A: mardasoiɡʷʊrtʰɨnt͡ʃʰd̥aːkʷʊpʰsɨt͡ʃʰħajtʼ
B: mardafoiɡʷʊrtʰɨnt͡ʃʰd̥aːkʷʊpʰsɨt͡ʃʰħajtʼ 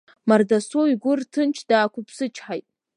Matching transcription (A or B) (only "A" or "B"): A